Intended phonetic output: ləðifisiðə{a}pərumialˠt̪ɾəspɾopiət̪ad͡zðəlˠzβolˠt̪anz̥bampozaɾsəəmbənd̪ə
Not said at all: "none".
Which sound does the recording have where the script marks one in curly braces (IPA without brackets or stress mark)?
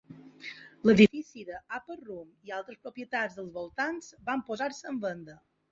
a